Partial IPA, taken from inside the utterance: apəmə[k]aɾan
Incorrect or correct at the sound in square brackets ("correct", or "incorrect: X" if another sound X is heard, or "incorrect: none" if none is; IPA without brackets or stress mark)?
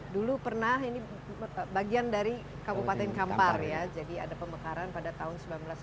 correct